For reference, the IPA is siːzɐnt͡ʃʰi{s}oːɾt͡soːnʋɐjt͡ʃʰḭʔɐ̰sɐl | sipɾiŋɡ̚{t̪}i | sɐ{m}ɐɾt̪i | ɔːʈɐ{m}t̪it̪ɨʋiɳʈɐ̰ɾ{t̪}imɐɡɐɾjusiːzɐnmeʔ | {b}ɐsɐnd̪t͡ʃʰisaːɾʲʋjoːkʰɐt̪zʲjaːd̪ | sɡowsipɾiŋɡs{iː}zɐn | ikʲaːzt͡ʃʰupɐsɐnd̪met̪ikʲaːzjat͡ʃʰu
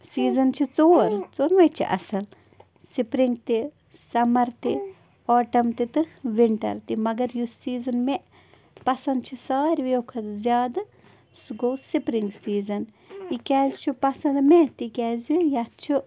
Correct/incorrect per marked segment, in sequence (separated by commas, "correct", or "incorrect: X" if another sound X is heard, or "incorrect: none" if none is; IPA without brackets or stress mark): incorrect: t͡s, correct, correct, correct, correct, incorrect: p, correct